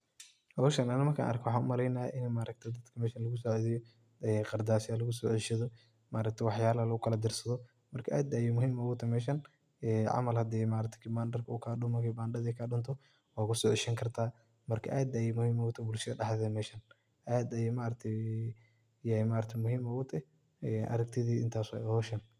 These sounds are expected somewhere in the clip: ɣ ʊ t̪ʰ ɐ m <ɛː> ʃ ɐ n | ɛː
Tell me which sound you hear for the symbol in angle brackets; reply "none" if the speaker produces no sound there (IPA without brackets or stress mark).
ɛː